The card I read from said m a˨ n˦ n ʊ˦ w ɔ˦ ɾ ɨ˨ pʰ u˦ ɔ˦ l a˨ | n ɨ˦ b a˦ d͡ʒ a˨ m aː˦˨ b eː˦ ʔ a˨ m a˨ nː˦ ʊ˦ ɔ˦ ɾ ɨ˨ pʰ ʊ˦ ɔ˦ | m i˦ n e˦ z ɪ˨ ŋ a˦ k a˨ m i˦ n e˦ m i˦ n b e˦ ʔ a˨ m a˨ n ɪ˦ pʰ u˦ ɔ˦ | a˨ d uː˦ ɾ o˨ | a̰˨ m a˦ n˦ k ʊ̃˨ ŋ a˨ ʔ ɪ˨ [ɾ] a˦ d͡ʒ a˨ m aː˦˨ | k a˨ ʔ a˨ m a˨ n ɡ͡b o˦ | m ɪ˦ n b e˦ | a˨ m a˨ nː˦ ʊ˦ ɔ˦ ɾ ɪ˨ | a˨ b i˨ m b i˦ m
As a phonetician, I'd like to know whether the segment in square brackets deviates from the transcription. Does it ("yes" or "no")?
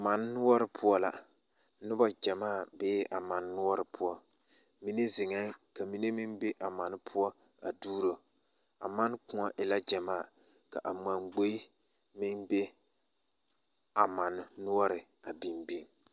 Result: yes